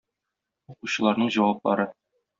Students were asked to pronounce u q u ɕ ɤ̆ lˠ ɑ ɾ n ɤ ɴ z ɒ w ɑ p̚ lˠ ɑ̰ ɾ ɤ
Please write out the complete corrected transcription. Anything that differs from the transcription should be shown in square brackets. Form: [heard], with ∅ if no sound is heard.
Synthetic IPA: u q u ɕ ɤ̆ lˠ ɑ ɾ n ɤ ɴ [ʑ] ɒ w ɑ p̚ lˠ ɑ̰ ɾ ɤ